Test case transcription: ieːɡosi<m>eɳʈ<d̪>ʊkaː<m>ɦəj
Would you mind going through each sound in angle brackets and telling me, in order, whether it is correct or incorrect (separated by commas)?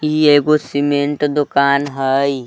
correct, correct, incorrect